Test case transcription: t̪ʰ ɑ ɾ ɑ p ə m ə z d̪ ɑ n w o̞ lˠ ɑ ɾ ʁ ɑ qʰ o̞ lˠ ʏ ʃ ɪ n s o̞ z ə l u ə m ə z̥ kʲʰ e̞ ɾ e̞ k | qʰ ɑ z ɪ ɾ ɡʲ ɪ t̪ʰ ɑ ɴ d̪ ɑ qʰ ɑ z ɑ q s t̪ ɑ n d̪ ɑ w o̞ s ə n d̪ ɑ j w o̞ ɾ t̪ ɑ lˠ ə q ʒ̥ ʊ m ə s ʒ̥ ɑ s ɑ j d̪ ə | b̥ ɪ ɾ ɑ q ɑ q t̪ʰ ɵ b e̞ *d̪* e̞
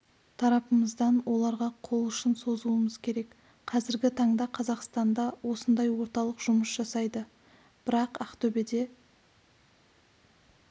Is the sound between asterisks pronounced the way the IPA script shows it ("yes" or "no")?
yes